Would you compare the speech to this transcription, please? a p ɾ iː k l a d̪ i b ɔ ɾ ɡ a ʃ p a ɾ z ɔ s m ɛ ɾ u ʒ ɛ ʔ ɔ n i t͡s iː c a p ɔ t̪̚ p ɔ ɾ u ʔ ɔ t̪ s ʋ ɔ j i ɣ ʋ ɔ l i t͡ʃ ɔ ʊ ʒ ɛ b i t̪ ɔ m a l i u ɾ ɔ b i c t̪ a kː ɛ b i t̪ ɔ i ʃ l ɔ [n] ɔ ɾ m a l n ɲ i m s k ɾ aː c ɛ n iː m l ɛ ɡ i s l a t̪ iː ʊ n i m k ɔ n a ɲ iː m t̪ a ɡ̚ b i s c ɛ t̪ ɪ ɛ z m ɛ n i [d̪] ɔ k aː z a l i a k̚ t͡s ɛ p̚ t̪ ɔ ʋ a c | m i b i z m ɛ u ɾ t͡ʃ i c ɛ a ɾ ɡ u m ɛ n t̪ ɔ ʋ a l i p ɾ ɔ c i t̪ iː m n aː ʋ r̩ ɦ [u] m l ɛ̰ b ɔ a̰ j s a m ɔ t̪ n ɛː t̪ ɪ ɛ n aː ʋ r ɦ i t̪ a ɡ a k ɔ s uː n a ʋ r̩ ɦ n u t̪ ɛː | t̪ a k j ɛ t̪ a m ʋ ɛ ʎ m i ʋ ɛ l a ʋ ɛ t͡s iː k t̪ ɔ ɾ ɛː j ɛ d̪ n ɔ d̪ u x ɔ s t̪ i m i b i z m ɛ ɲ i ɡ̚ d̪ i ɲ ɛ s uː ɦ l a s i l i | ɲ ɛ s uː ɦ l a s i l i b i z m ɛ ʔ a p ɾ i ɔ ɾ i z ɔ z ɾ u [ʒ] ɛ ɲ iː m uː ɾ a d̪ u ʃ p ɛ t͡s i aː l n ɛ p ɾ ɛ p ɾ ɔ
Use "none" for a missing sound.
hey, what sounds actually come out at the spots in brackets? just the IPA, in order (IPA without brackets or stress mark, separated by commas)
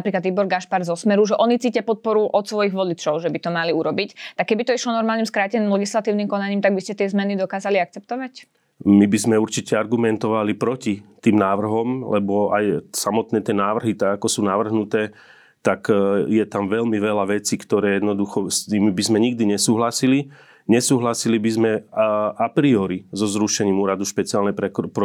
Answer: n, d̪, ɔ, ʃ